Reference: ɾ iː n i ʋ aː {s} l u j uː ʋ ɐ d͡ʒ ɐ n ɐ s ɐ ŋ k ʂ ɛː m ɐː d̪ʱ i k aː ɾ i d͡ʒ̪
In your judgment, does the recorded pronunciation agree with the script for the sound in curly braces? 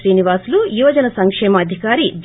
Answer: yes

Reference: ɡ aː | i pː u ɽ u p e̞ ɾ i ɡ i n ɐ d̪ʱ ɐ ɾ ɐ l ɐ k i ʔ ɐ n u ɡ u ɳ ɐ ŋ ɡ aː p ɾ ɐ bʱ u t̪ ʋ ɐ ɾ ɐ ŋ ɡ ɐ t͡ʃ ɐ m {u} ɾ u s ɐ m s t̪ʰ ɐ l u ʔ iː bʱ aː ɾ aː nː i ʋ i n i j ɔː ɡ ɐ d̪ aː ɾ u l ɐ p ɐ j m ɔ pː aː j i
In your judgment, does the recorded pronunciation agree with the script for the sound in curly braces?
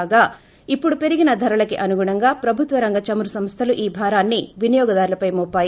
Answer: yes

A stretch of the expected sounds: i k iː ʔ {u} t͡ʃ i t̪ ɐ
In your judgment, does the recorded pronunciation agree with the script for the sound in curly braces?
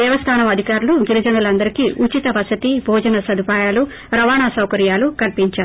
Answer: yes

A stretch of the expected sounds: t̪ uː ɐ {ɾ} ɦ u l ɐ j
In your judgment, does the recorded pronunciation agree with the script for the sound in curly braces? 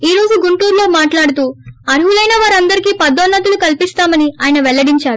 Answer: yes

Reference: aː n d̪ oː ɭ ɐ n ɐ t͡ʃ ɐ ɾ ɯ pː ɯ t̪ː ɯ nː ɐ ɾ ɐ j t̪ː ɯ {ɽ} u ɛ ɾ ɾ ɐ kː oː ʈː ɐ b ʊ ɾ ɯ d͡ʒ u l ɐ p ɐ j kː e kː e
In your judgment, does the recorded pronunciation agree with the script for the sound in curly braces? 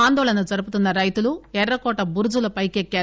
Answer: no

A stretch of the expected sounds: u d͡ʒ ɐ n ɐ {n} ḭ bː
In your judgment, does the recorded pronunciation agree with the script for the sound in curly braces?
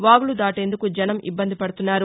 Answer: no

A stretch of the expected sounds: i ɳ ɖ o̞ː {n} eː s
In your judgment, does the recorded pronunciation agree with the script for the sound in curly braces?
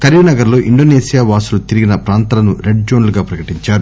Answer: yes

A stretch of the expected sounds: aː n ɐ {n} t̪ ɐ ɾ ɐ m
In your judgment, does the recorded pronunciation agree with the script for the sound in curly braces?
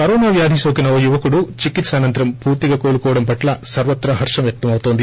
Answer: yes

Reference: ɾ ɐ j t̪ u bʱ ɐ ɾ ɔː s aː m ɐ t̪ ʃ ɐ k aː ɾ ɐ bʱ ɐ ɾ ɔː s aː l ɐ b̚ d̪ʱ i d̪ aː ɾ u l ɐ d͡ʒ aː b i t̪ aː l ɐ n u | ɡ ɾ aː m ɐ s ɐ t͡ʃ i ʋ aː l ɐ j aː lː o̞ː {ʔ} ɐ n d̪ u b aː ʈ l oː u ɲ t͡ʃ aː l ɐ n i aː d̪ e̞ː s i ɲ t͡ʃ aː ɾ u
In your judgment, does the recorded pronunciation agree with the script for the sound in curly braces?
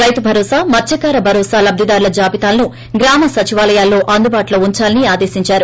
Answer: yes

